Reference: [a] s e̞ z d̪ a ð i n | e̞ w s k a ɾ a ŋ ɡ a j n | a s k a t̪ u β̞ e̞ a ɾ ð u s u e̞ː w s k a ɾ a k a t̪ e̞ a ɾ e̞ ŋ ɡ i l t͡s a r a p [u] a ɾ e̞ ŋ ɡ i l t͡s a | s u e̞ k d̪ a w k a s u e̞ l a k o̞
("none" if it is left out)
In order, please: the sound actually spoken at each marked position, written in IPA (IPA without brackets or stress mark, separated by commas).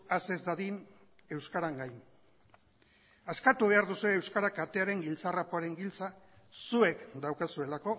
a, o